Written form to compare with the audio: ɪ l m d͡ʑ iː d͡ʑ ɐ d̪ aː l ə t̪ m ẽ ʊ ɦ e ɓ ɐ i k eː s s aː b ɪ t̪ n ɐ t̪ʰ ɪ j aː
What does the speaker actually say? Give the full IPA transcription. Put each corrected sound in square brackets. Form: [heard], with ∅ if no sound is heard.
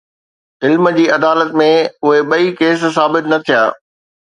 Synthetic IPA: ɪ l m d͡ʑ iː [∅] ɐ d̪ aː l ə t̪ m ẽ ʊ ɦ e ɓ ɐ i k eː s s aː b ɪ t̪ n ɐ t̪ʰ [i] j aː

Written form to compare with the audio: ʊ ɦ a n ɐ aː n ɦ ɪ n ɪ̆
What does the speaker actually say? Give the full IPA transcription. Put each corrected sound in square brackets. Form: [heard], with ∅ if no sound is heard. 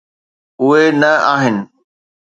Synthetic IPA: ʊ ɦ [e] n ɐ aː [∅] ɦ ɪ n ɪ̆

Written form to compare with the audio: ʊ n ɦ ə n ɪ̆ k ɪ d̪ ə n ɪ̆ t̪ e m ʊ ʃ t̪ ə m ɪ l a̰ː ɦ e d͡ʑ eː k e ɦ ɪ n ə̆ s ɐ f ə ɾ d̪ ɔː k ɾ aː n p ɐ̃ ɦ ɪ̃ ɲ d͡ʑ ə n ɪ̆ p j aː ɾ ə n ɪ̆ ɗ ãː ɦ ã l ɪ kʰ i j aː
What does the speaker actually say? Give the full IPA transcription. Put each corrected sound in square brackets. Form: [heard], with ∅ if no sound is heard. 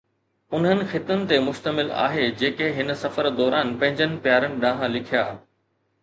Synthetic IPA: ʊ n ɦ ə n ɪ̆ [x] ɪ [t̪] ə n ɪ̆ t̪ e m ʊ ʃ t̪ ə m ɪ l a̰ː ɦ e d͡ʑ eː k e ɦ ɪ n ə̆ s ɐ f ə ɾ d̪ ɔː [∅] ɾ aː n p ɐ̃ ɦ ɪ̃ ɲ d͡ʑ ə n ɪ̆ p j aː ɾ ə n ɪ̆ ɗ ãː ɦ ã l ɪ kʰ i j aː

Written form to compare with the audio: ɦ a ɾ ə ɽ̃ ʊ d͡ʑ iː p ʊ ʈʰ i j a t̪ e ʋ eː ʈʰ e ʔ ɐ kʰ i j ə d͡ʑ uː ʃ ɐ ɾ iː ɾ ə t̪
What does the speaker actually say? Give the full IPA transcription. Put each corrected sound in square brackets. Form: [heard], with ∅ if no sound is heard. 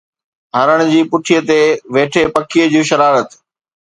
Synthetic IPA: ɦ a ɾ ə ɽ̃ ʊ d͡ʑ iː p ʊ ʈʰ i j [ə] t̪ e ʋ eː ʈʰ e [p] ɐ kʰ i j ə d͡ʑ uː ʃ ɐ ɾ [aː] ɾ ə t̪

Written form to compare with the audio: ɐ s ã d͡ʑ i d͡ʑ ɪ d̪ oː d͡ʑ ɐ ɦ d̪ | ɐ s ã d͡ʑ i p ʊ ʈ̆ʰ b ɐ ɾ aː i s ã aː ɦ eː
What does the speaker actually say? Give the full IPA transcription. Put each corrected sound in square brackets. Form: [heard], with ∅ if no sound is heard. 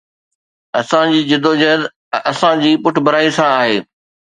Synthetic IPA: ɐ s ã d͡ʑ [iː] d͡ʑ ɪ d̪ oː d͡ʑ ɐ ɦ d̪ | ɐ s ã d͡ʑ [iː] p ʊ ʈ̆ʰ b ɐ ɾ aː i s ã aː ɦ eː

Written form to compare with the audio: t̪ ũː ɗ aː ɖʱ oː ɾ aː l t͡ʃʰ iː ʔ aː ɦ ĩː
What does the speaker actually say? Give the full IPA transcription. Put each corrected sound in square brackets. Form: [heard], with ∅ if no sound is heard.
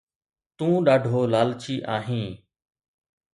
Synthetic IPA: t̪ ũː ɗ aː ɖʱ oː [l] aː l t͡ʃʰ iː ʔ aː ɦ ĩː

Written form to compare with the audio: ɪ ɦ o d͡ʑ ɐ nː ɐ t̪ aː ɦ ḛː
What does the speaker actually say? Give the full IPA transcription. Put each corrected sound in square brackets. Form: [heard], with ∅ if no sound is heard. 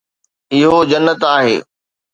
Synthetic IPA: ɪ ɦ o d͡ʑ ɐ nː [ə] t̪ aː ɦ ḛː

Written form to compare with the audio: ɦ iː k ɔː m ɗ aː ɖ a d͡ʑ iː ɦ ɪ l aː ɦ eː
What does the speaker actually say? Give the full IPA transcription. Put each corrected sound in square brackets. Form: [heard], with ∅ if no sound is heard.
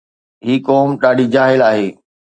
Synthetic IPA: ɦ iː k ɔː m ɗ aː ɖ [i] d͡ʑ [aː] ɦ ɪ l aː ɦ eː

